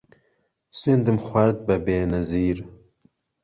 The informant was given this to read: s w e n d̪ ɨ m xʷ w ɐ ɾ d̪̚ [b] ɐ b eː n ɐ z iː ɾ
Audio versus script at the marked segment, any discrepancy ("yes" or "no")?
no